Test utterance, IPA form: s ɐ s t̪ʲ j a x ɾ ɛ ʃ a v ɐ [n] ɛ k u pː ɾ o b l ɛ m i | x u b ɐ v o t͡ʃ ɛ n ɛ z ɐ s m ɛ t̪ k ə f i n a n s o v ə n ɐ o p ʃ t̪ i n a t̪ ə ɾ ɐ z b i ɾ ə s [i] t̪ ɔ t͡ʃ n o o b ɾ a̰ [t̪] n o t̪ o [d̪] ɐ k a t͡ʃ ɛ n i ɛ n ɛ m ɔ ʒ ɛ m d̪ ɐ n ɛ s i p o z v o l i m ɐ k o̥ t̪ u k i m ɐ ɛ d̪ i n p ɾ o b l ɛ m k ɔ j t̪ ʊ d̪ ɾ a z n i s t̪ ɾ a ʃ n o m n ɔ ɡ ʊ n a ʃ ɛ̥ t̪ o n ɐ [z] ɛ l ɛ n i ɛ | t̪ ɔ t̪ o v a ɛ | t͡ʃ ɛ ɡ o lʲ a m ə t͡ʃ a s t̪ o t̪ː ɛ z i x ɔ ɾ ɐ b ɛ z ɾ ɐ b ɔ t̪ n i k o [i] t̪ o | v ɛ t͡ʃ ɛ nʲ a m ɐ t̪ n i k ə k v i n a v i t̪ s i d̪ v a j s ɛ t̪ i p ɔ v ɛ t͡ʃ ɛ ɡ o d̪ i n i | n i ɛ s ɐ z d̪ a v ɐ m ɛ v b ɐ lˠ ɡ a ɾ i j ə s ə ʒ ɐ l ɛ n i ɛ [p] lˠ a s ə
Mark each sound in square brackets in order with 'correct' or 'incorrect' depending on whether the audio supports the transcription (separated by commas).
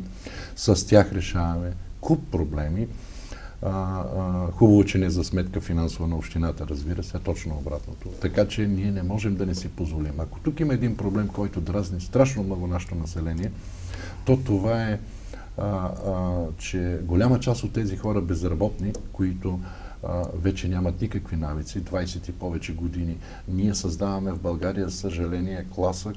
incorrect, incorrect, correct, incorrect, incorrect, correct, incorrect